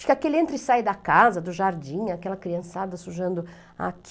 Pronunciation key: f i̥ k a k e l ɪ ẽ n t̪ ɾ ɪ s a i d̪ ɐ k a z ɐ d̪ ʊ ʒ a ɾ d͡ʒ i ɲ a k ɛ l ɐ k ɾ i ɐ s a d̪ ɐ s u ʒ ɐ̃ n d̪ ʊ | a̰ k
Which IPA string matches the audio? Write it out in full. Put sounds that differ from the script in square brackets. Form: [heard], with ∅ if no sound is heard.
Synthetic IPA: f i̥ k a k e l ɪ ẽ n t̪ ɾ ɪ s a [j] d̪ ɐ k a z ɐ d̪ ʊ ʒ a ɾ d͡ʒ [ĩ] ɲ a k ɛ l ɐ k ɾ i [ɐ̃] s a d̪ ɐ s u ʒ ɐ̃ n d̪ ʊ | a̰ k